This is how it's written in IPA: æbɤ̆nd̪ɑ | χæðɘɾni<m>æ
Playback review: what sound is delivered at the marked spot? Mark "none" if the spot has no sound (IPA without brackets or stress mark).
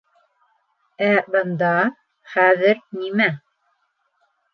m